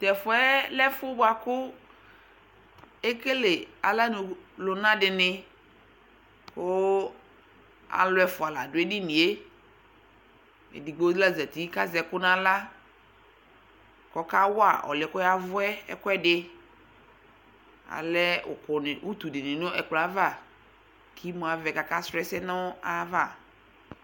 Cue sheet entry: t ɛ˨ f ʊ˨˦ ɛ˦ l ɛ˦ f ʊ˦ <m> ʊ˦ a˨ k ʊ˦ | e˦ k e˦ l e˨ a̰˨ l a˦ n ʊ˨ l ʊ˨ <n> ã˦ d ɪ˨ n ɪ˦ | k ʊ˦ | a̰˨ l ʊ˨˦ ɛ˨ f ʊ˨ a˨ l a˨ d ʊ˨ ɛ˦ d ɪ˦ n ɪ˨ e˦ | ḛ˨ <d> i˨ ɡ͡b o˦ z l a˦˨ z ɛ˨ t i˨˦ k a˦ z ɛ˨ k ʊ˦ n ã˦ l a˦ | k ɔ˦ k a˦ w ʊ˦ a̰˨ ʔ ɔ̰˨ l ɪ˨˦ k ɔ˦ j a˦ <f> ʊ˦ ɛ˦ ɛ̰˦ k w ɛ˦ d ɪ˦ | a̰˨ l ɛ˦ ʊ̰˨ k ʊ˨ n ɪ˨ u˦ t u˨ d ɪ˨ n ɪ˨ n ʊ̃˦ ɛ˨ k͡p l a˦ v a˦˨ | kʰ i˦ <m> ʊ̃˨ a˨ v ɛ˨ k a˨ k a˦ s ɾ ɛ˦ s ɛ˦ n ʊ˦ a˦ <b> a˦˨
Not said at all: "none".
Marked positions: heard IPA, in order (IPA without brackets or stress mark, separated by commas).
b, n, d, v, m, v